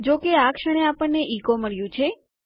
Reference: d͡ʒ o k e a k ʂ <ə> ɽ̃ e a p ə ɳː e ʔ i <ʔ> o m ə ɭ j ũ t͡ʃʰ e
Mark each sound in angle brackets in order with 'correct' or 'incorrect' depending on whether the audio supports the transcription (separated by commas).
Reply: correct, incorrect